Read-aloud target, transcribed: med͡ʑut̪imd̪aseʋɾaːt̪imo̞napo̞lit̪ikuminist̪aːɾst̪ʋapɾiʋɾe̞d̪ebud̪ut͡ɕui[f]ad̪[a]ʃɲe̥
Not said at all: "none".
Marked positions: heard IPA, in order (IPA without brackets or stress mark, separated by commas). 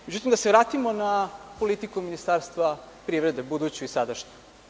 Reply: s, a